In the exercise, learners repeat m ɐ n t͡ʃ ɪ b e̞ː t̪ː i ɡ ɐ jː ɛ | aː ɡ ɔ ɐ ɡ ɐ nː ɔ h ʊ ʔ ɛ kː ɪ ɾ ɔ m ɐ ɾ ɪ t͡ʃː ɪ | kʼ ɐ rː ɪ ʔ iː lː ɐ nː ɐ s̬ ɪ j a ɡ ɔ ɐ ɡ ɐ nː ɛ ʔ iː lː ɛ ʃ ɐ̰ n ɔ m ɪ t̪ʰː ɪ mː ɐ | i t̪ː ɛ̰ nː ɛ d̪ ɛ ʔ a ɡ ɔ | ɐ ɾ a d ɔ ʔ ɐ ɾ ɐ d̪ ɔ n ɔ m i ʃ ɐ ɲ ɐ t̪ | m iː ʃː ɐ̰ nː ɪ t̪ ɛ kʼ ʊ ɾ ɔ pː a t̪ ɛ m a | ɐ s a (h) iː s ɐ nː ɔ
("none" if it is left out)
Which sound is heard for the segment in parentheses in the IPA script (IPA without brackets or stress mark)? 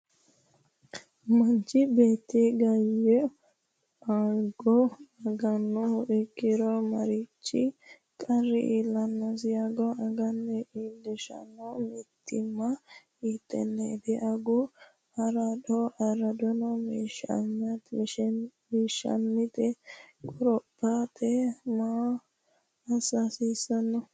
s